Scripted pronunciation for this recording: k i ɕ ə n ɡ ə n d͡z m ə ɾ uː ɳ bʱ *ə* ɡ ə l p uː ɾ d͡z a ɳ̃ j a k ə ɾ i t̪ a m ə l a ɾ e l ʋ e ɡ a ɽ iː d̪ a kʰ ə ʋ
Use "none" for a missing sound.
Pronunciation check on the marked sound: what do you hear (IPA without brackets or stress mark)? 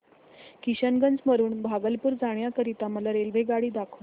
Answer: a